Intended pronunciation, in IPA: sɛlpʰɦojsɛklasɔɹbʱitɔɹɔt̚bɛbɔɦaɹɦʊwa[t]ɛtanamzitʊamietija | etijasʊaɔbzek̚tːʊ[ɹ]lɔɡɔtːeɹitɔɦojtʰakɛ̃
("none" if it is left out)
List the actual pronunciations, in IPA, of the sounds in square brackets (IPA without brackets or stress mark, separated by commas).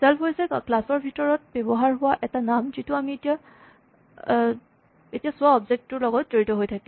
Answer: ʔ, ɹ